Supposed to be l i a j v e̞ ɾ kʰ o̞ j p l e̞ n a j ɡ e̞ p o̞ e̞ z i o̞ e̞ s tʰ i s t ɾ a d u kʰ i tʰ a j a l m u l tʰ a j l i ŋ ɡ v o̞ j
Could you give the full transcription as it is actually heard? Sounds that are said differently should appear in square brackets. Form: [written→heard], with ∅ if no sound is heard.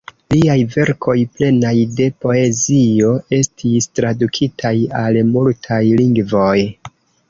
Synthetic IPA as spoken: l i a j v e̞ ɾ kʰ o̞ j p l e̞ n a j [ɡ→d] e̞ p o̞ e̞ z i o̞ e̞ s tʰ i s t ɾ a d u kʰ i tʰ a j a l m u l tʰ a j l i ŋ ɡ v o̞ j